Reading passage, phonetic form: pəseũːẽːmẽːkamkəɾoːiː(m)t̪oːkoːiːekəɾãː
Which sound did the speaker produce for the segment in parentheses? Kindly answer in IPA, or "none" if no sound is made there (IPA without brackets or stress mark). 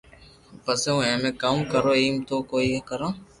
m